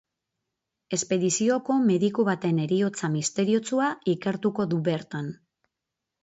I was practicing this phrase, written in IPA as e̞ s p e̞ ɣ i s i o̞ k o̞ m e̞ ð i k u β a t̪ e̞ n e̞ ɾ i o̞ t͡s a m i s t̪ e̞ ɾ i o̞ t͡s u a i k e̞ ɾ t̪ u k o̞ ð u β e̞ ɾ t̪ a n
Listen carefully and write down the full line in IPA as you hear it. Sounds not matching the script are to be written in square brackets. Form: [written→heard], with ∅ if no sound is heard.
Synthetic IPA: e̞ s p e̞ [ɣ→ð] i s i o̞ k o̞ m e̞ ð i k u β a t̪ e̞ n e̞ ɾ i o̞ t͡s a m i s t̪ e̞ ɾ i o̞ t͡s u a i k e̞ ɾ t̪ u k o̞ ð u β e̞ ɾ t̪ a n